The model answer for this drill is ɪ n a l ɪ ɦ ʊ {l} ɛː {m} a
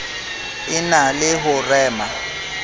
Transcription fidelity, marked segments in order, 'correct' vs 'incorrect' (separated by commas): incorrect, correct